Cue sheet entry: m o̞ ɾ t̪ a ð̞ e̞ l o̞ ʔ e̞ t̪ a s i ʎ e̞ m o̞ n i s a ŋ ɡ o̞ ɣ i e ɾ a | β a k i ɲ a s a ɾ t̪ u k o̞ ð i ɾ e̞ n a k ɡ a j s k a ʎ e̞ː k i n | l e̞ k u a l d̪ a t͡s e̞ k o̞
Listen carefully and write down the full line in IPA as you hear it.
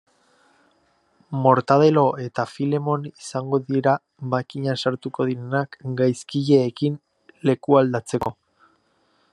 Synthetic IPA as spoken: m o̞ ɾ t̪ a ð̞ e̞ l o̞ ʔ e̞ t̪ a f i l e̞ m o̞ n i s a ŋ ɡ o̞ ð i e ɾ a | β a k i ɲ a s a ɾ t̪ u k o̞ ð i ɾ e̞ n a k ɡ a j s k i ʎ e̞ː k i n | l e̞ k u a l d̪ a t͡s e̞ k o̞